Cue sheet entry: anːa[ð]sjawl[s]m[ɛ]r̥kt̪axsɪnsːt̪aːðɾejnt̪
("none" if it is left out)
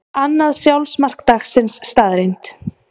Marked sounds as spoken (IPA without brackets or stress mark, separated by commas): ð, s, a